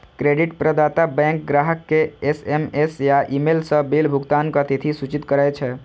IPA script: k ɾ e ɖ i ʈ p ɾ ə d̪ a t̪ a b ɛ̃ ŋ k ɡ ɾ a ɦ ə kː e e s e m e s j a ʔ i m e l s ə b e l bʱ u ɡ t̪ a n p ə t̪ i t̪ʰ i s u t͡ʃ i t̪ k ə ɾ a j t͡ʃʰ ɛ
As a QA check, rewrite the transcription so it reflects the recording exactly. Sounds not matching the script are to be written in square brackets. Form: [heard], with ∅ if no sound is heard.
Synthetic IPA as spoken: k ɾ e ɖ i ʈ p ɾ ə d̪ a t̪ a b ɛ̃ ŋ k ɡ ɾ a ɦ ə kː e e s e m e s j a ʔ i m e l s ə b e l bʱ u ɡ t̪ a n [k] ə t̪ i t̪ʰ i s u t͡ʃ i t̪ k ə ɾ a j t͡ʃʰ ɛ